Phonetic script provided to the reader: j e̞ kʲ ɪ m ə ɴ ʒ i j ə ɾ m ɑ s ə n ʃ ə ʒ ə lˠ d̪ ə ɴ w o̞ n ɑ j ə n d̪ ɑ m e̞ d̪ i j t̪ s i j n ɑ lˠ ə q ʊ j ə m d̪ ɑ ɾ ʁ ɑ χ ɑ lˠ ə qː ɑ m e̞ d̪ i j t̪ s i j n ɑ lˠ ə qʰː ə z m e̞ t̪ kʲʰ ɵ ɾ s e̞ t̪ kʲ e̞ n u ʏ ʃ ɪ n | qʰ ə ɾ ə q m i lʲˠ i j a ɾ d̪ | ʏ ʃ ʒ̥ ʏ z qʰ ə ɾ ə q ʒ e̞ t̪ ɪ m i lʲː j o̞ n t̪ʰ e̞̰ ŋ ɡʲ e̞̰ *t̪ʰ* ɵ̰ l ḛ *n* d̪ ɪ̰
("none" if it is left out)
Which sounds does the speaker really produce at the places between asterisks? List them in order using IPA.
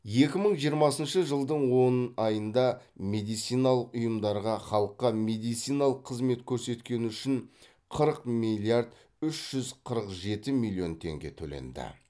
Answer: t̪ʰ, n

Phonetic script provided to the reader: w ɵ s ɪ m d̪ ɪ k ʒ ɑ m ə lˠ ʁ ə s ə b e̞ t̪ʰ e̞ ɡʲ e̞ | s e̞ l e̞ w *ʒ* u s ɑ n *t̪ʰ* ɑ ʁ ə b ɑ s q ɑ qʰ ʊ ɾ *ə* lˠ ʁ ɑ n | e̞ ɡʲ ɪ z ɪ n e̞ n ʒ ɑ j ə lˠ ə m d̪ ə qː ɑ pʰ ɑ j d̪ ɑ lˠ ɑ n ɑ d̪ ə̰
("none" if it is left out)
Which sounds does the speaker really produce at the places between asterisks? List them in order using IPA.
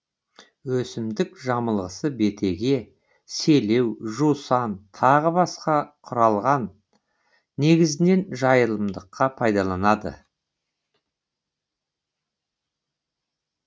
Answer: ʒ, t̪ʰ, ɑ

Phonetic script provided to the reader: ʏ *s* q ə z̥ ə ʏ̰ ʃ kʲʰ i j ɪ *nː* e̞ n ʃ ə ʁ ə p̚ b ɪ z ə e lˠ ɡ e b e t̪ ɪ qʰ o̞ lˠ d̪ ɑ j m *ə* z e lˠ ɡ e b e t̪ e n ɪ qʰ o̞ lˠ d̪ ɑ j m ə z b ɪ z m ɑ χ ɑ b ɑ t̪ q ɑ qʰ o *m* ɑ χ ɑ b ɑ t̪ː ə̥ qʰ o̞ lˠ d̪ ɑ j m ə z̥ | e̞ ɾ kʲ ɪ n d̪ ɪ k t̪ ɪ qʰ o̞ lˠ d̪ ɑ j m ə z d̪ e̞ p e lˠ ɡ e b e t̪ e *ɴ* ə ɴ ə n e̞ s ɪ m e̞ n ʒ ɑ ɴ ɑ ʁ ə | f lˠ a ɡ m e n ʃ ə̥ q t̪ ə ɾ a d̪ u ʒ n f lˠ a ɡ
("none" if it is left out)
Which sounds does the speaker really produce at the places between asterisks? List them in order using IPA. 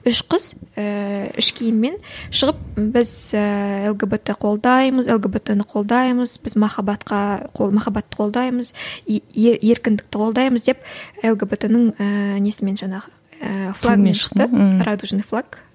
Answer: ʃ, mː, ə, m, n

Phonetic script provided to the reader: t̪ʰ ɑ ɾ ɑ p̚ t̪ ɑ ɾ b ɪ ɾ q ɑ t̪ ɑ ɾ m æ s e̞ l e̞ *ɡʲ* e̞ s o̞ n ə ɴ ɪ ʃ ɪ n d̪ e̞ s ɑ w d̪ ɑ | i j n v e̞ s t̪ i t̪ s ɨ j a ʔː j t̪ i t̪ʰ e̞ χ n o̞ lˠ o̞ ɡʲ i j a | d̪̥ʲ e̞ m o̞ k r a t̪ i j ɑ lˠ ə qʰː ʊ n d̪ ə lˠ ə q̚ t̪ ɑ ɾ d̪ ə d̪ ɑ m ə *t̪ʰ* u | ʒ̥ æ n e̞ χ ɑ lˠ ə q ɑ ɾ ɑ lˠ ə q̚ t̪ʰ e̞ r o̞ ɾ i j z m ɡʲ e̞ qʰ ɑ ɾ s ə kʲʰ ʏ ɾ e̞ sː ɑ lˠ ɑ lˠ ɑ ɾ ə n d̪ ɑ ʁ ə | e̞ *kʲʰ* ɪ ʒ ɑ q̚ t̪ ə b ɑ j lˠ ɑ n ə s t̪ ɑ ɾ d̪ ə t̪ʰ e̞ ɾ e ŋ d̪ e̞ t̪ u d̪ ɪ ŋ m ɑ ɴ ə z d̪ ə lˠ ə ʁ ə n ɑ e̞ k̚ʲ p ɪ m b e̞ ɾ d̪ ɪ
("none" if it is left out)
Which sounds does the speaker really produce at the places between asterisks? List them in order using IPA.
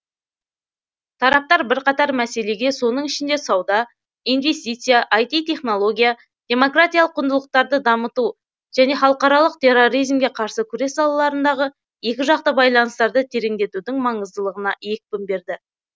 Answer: ɡʲ, t̪, kʲ

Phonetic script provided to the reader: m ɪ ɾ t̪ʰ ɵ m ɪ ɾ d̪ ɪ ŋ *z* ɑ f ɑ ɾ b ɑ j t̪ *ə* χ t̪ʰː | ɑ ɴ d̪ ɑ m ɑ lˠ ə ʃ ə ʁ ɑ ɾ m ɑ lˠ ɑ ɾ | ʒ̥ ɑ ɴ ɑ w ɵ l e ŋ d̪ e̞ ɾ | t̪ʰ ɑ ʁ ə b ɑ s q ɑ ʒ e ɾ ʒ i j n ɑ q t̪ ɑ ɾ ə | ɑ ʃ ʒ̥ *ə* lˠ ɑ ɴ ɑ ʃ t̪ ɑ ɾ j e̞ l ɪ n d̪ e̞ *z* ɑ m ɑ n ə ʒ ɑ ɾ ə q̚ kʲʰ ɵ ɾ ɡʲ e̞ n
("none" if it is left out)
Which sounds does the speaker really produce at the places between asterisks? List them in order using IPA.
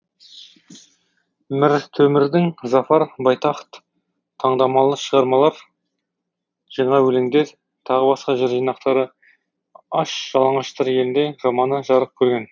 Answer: z, ɑ, ɑ, ʒ

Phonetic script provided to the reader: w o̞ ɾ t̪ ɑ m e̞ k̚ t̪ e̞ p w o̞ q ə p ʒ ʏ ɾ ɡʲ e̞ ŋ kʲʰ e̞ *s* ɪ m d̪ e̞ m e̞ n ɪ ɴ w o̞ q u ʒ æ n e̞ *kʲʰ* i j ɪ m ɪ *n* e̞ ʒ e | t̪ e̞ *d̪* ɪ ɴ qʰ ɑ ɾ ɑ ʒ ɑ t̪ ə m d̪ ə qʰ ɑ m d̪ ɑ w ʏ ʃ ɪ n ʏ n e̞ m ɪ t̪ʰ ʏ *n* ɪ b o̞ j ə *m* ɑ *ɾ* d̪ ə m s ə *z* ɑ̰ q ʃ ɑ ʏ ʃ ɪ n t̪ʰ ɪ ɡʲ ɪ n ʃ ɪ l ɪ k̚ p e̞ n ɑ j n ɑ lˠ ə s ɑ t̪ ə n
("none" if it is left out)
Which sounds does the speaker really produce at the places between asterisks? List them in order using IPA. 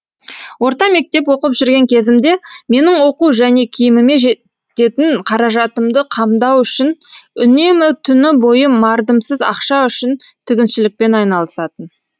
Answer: z, kʲʰ, m, t̪, n, m, ɾ, z

